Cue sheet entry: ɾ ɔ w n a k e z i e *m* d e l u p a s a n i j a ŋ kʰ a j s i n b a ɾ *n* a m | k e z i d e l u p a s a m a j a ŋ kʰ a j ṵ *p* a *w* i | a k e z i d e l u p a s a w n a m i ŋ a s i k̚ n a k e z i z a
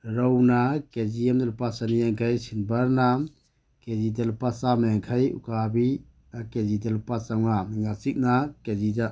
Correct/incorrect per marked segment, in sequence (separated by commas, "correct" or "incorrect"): correct, correct, incorrect, incorrect